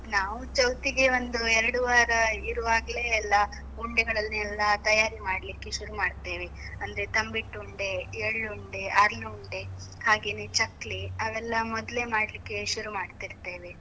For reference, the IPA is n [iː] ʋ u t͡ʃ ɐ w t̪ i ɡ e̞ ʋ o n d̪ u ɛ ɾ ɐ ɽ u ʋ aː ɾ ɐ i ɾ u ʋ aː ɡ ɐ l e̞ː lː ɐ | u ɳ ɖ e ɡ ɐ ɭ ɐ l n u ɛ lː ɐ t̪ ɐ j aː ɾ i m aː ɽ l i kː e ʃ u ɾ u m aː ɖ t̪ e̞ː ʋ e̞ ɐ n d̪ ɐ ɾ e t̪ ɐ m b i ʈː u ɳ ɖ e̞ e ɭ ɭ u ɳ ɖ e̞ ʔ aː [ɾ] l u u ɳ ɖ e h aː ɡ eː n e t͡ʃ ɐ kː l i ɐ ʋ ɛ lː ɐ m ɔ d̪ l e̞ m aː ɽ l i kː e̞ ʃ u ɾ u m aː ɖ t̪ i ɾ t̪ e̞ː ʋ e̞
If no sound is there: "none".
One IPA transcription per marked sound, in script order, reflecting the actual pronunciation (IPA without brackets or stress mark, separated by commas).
aː, ɾ